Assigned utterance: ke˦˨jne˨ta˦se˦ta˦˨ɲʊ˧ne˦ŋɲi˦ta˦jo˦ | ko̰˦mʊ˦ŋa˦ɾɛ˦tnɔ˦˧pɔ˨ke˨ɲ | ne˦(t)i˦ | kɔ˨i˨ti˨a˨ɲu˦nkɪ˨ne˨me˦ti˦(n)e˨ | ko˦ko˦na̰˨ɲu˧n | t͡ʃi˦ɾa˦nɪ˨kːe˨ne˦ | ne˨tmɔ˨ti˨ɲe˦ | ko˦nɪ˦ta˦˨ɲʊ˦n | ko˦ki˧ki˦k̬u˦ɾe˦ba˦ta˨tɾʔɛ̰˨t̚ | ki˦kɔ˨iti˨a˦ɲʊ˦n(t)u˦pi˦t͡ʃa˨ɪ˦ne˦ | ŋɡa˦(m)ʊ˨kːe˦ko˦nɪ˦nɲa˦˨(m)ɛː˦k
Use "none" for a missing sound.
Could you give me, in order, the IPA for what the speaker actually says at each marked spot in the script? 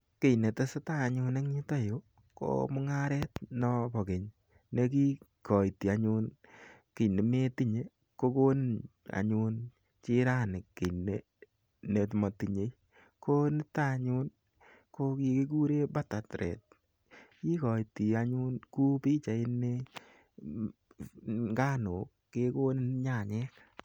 k, ɲ, k, n, ɲ

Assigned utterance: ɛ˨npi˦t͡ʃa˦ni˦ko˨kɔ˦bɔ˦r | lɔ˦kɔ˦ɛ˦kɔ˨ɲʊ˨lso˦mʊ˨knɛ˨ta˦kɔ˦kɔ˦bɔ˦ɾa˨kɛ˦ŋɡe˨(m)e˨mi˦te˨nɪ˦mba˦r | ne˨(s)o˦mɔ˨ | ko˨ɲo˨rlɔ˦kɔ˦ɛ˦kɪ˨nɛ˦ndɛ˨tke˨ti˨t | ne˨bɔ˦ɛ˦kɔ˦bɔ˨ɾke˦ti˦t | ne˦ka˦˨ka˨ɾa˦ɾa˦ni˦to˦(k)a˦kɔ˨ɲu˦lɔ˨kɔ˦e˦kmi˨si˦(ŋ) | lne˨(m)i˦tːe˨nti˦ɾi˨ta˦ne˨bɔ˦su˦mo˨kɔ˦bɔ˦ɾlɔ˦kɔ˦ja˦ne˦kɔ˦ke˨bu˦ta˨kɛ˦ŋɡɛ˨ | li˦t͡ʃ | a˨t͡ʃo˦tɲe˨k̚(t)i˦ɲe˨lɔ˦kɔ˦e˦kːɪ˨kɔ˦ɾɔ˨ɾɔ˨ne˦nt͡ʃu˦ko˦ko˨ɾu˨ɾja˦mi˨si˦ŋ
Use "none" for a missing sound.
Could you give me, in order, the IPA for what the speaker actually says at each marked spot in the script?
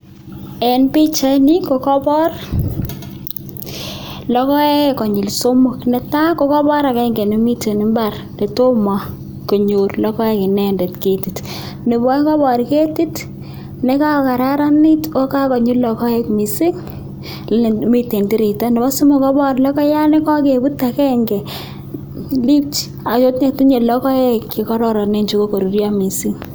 n, t, k, ŋ, m, t

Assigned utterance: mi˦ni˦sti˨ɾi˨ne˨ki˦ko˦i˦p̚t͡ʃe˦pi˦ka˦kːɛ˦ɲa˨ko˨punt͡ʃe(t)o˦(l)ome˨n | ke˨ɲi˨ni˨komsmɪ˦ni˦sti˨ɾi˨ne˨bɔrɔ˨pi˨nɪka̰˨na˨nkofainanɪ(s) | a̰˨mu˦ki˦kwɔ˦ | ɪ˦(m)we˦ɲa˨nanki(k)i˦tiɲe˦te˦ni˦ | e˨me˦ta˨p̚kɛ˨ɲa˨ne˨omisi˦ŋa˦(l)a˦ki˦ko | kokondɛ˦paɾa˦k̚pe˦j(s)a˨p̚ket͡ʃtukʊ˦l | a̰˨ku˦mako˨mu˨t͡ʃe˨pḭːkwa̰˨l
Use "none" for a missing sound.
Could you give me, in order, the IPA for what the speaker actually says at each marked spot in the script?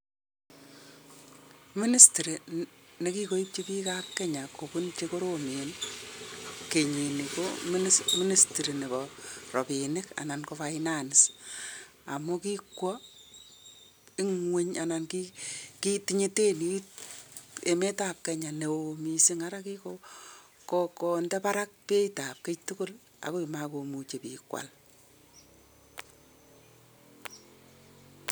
k, ɾ, s, ŋ, k, ɾ, t

